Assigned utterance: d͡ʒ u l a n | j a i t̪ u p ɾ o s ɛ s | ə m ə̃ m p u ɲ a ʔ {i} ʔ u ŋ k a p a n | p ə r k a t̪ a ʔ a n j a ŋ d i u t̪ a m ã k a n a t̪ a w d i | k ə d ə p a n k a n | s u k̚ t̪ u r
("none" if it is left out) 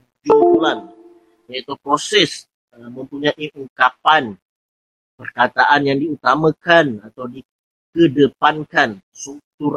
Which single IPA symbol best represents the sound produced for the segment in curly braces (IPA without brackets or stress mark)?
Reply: i